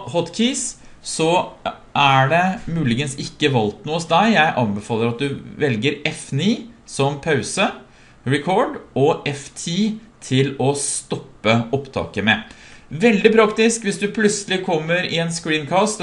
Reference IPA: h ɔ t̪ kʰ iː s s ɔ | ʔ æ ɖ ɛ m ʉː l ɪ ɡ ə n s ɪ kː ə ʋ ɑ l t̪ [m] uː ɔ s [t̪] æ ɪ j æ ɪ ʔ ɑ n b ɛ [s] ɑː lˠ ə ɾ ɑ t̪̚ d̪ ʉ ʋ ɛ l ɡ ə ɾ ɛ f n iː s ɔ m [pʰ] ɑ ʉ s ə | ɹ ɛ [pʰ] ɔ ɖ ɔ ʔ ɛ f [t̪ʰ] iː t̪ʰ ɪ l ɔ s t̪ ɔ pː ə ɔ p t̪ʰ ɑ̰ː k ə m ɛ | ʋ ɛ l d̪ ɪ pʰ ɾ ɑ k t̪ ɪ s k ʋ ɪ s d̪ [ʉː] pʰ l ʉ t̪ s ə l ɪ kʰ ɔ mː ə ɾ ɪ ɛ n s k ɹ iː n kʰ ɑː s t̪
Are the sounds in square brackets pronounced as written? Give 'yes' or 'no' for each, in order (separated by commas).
no, no, no, yes, no, yes, no